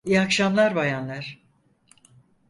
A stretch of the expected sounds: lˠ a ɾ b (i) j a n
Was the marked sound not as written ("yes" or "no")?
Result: yes